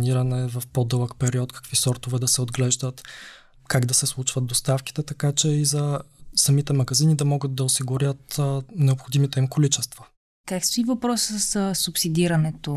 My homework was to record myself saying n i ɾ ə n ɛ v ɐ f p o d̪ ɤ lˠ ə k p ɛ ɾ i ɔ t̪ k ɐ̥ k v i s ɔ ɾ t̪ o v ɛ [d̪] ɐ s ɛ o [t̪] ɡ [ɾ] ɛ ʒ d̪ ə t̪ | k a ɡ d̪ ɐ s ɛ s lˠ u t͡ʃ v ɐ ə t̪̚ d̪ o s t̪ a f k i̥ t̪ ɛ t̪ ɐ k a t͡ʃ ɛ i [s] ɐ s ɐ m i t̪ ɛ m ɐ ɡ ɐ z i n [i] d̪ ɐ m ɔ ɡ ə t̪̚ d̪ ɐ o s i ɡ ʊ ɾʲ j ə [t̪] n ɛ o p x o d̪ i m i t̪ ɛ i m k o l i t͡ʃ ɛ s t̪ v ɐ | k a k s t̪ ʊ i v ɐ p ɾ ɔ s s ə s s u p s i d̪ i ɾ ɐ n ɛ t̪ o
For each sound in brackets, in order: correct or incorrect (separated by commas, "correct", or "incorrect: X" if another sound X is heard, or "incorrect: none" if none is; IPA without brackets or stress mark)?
correct, incorrect: d̪, incorrect: l, incorrect: z, correct, correct